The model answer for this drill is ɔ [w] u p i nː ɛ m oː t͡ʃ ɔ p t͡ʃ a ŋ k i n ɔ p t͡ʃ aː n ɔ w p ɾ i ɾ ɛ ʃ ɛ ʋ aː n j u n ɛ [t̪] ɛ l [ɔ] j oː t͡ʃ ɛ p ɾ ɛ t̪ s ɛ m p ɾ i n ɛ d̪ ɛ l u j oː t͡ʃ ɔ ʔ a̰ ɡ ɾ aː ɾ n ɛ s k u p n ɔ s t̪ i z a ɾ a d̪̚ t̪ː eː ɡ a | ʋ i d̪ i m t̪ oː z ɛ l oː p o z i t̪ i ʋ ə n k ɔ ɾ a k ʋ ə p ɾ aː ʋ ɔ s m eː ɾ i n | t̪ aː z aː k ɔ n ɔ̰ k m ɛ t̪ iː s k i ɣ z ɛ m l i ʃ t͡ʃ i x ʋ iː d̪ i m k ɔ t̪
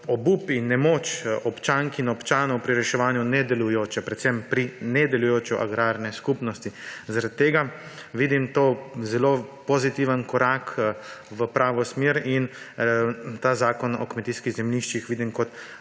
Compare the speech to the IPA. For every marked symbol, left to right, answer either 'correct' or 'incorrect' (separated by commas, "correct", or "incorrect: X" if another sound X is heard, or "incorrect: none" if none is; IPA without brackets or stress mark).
incorrect: b, incorrect: d̪, incorrect: u